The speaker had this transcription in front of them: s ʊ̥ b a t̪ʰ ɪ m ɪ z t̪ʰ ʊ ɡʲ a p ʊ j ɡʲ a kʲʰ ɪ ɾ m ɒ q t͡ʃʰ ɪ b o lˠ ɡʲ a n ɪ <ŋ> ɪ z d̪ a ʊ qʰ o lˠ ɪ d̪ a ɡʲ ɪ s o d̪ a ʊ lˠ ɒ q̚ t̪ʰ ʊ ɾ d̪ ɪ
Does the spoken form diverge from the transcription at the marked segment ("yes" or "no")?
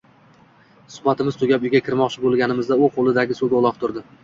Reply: yes